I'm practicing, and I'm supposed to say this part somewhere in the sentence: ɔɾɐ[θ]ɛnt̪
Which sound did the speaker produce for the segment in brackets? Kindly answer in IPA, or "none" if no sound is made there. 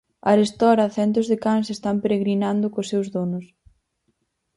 θ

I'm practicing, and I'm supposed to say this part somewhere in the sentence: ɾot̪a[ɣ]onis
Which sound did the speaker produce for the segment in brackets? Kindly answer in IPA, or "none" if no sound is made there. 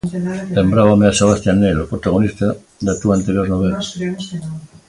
ɣ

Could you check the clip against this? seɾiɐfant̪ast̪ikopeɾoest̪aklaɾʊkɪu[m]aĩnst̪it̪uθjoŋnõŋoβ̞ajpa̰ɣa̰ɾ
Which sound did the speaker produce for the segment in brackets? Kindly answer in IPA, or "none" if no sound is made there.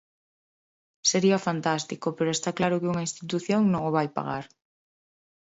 ŋ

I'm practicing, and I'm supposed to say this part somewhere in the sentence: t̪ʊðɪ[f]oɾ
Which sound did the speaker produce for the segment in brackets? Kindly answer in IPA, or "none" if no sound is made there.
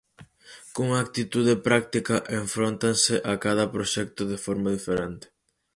f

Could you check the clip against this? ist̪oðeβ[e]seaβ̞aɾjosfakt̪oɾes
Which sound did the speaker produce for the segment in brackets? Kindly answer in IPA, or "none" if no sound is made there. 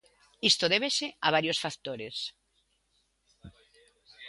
e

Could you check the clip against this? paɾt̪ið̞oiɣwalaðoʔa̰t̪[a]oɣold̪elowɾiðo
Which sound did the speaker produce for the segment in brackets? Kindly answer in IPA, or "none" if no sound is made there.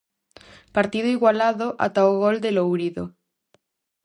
a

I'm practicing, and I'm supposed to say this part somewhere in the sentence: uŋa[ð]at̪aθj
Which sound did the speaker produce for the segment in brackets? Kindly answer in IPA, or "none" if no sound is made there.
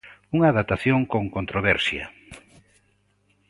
ð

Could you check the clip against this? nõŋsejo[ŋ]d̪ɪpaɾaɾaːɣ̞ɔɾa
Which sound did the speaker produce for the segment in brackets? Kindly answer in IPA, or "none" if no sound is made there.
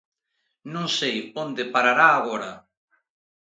n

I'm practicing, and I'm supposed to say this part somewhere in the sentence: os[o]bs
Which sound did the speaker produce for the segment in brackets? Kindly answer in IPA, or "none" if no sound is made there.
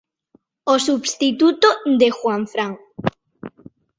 u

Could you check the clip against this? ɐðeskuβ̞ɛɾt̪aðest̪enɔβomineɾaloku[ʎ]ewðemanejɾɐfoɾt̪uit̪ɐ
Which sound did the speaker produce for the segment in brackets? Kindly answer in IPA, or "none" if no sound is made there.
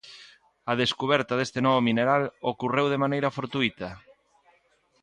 r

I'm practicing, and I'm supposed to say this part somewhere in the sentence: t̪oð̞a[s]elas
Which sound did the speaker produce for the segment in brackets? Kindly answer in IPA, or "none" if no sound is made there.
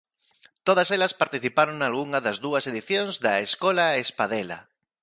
s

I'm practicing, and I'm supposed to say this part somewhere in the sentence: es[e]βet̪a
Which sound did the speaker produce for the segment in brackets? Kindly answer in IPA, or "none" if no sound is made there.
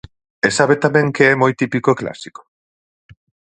a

